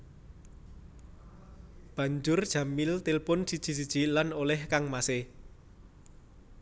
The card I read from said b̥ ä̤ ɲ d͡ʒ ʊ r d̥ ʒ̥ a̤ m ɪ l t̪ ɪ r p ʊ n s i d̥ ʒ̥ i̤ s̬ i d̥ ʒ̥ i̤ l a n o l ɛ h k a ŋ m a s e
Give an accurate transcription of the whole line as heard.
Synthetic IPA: b̥ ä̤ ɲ d͡ʒ ʊ r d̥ ʒ̥ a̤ m ɪ l t̪ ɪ l p ʊ n s i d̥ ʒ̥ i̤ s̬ i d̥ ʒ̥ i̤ l a n o l ɛ h k a ŋ m a s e